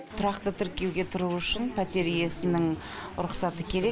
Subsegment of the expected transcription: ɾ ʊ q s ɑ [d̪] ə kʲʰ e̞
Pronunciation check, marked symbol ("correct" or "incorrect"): incorrect